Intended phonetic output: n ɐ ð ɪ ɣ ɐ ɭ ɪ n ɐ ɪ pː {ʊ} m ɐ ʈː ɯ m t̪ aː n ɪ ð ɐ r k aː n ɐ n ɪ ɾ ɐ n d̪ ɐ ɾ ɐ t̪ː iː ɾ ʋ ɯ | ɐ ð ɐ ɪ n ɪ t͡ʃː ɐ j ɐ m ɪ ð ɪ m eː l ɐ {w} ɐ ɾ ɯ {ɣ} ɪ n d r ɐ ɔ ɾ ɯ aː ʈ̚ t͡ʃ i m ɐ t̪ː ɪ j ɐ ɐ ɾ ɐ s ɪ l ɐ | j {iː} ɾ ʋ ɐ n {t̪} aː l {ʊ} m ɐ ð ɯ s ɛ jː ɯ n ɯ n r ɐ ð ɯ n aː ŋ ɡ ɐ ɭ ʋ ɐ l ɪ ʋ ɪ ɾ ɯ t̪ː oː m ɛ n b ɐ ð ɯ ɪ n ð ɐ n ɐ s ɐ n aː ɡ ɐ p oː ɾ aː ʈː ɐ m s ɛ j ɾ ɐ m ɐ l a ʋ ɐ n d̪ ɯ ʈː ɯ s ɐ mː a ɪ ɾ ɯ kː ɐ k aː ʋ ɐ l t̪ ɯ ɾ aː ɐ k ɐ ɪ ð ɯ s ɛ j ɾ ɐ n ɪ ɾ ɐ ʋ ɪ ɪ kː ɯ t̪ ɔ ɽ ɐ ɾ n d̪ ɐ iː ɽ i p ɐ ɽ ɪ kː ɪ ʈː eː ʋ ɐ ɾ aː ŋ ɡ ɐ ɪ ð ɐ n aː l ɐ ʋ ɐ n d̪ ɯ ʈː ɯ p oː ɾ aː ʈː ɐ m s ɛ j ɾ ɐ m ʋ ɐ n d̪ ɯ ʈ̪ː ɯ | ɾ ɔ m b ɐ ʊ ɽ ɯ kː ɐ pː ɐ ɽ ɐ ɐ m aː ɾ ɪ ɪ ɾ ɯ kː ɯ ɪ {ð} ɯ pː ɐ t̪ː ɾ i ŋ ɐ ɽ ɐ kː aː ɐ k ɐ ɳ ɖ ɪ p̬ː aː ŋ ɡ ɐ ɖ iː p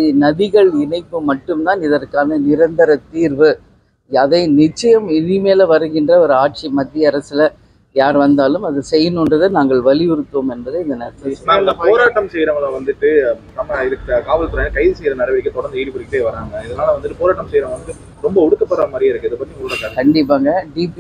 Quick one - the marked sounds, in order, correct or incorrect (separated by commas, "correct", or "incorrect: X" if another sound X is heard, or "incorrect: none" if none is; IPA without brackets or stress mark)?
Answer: incorrect: ɯ, incorrect: ʋ, correct, incorrect: aː, incorrect: d̪, incorrect: ɯ, correct